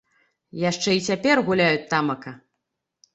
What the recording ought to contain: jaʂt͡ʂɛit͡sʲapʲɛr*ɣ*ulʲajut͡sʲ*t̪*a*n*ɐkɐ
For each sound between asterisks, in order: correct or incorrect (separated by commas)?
correct, correct, incorrect